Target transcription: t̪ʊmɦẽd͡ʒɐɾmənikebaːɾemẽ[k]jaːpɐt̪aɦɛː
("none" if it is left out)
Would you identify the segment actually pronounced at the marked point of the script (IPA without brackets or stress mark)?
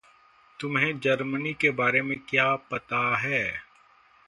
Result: k